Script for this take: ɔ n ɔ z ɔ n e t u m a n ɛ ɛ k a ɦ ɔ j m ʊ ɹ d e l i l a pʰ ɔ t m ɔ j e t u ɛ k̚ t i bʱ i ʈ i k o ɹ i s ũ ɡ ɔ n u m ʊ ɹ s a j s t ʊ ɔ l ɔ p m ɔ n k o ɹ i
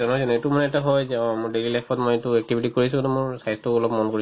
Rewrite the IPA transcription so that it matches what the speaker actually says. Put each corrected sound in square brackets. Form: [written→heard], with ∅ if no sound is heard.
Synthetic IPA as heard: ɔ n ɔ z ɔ n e t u m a n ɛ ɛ [k→t] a ɦ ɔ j m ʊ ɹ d e l i l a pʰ ɔ t m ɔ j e t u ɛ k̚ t i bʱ i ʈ i k o ɹ i s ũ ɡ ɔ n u m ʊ ɹ s a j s t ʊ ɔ l ɔ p m ɔ n k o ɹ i